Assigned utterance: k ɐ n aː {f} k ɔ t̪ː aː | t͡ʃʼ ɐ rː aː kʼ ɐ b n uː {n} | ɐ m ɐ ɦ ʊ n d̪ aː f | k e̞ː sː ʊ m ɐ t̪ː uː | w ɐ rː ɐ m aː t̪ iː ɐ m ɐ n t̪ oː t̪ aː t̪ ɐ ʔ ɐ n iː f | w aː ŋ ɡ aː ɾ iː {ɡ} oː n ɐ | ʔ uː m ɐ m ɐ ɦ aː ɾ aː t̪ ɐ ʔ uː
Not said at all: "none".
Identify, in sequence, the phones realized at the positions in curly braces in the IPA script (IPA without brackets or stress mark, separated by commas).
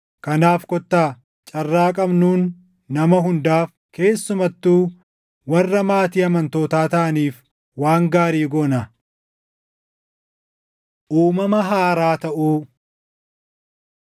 f, nː, ɡ